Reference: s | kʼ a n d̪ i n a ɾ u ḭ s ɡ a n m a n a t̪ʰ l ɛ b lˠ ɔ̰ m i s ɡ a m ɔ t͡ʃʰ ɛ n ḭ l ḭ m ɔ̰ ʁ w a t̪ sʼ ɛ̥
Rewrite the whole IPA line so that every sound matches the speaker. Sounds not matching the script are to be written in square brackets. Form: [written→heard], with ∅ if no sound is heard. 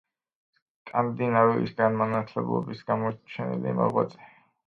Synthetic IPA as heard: s | kʼ a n d̪ i n a ɾ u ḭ s ɡ a n m a n a t̪ʰ l ɛ b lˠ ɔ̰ [m→b] i s ɡ a m ɔ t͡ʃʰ ɛ n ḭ l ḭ m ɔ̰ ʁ w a t̪ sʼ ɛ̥